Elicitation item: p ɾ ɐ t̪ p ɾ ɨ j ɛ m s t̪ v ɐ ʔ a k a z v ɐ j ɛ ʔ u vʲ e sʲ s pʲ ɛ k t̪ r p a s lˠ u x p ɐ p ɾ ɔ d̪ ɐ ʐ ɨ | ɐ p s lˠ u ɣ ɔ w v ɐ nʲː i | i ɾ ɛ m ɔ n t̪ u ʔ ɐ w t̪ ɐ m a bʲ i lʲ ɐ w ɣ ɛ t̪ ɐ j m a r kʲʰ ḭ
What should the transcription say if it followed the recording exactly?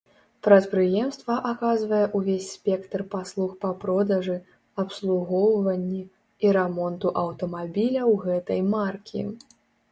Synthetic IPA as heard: p ɾ ɐ t̪ p ɾ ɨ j ɛ m s t̪ v ɐ ʔ a k a z v ɐ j ɛ ʔ u vʲ e sʲ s pʲ ɛ k t̪ r p a s lˠ u x p ɐ p ɾ ɔ d̪ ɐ ʐ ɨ | ɐ p s lˠ u ɣ ɔ w v ɐ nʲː i | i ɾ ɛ m ɔ n t̪ u ʔ ɐ w t̪ ɐ m a bʲ i lʲ ɐ w ɣ ɛ t̪ ɐ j m a r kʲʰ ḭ